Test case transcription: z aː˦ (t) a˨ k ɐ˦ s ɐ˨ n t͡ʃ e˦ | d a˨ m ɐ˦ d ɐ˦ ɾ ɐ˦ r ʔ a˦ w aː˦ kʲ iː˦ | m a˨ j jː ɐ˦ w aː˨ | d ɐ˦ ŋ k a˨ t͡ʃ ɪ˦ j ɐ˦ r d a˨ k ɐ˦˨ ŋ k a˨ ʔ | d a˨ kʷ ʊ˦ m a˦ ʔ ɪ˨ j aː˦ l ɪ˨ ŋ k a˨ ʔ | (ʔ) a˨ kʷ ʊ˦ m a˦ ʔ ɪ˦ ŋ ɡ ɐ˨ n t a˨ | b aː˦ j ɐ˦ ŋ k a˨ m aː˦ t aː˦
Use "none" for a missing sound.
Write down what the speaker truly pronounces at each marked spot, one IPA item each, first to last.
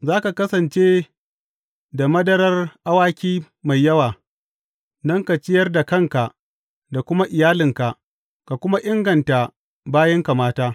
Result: k, k

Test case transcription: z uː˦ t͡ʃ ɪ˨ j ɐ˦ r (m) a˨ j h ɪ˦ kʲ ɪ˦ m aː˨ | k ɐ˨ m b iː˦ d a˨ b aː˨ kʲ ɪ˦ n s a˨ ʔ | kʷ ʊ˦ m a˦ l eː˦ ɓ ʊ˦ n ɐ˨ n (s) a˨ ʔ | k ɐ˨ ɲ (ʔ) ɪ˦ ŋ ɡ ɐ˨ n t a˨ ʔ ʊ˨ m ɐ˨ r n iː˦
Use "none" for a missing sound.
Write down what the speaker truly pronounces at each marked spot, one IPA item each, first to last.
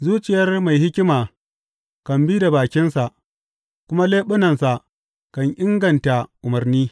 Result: m, s, ʔ

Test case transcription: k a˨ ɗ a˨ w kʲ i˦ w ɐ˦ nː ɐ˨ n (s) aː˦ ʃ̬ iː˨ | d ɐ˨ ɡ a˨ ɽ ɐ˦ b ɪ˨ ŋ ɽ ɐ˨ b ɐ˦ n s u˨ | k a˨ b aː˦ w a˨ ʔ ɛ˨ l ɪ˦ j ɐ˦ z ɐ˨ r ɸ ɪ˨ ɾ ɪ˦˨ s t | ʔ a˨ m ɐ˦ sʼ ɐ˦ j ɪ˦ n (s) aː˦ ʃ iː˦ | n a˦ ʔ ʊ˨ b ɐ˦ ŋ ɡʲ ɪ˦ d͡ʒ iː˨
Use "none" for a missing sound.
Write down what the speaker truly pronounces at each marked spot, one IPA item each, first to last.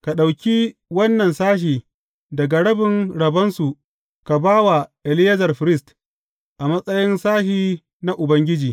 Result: s, s

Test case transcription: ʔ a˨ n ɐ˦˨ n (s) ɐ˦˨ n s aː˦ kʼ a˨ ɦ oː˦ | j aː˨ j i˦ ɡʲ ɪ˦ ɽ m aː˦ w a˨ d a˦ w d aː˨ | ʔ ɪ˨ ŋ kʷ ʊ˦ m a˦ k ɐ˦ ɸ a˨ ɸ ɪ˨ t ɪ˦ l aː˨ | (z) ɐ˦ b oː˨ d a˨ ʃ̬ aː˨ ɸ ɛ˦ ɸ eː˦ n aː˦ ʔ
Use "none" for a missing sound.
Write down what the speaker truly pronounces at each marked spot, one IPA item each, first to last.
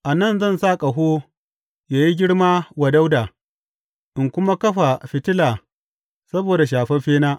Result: z, s

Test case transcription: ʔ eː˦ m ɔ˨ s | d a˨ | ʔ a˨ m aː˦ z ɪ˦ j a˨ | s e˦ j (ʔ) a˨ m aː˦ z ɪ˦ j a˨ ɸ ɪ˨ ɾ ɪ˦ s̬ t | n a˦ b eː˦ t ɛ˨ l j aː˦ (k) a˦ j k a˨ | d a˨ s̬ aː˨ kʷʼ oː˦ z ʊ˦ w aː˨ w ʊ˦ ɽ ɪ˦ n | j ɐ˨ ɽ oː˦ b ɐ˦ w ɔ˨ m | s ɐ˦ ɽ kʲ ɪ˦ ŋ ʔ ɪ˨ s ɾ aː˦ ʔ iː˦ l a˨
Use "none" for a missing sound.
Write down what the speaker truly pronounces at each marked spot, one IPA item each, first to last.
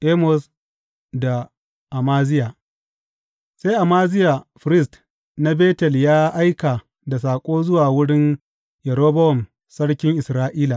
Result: ʔ, ʔ

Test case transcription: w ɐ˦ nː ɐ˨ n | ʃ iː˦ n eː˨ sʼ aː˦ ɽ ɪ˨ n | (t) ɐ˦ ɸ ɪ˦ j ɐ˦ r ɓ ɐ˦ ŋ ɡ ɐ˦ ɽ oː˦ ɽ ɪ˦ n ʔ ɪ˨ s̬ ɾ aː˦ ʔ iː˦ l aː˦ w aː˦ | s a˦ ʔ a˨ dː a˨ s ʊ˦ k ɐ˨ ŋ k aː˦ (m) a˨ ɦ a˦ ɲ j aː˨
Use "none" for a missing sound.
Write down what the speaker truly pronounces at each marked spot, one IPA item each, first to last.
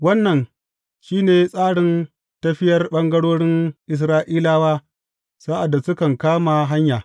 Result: t, m

